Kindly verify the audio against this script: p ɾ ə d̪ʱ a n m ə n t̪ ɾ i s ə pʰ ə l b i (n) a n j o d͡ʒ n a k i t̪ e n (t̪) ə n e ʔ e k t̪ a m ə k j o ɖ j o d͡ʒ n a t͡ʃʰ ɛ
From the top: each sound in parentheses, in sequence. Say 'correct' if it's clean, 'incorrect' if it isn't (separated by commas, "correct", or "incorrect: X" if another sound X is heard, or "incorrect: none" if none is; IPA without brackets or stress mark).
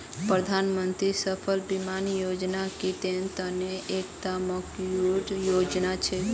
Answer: incorrect: m, correct